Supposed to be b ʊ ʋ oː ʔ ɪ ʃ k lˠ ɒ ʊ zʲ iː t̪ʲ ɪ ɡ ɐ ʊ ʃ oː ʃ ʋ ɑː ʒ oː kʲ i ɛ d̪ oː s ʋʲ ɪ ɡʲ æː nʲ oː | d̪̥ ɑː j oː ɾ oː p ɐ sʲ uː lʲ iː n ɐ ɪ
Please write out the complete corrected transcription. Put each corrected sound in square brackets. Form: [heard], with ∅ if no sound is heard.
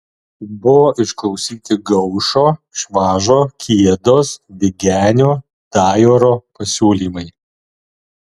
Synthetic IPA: b ʊ ʋ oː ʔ ɪ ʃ k lˠ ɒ ʊ [sʲ] iː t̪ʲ ɪ ɡ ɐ ʊ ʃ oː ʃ ʋ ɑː ʒ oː kʲ i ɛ d̪ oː s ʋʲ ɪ ɡʲ æː nʲ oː | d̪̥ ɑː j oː ɾ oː p ɐ sʲ uː lʲ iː [m] ɐ ɪ